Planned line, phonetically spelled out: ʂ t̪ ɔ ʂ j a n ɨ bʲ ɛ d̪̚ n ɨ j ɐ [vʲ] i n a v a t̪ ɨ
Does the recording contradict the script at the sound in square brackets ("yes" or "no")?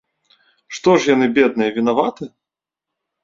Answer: no